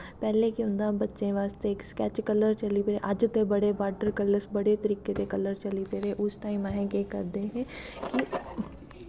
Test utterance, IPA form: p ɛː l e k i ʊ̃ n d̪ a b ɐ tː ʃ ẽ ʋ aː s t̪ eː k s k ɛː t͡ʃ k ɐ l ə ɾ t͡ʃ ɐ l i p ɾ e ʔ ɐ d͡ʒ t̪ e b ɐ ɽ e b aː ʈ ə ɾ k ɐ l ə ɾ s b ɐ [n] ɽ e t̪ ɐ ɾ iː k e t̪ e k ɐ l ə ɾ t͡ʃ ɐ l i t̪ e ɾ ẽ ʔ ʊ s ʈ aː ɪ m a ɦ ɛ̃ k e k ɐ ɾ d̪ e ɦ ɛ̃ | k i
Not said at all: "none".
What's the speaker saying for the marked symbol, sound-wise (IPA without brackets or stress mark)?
none